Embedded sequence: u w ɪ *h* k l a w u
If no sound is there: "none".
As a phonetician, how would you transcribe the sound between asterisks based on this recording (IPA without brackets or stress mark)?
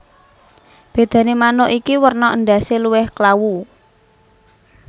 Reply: h